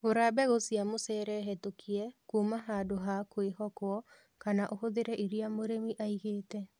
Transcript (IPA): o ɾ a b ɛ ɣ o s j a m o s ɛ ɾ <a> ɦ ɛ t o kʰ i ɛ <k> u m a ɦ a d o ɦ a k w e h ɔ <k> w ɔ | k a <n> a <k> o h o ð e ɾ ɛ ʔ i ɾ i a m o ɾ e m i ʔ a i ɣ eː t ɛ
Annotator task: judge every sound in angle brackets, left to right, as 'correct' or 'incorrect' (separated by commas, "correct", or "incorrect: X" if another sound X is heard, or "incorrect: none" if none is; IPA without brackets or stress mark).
incorrect: ɛ, correct, correct, correct, incorrect: ʔ